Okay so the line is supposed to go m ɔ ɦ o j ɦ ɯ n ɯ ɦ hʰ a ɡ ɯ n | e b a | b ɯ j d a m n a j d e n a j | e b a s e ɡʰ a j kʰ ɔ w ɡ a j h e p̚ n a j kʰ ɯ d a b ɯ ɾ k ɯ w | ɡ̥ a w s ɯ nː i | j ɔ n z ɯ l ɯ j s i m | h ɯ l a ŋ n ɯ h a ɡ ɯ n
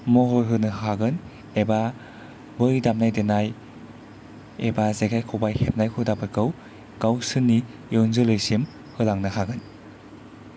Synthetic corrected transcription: m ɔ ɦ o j ɦ ɯ n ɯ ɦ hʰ a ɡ ɯ n | e b a | b ɯ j d a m n a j d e n a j | e b a z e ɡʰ a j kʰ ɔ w b a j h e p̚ n a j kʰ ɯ d a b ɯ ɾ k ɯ w | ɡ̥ a w s ɯ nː i | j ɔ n z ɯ l ɯ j s i m | h ɯ l a ŋ n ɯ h a ɡ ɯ n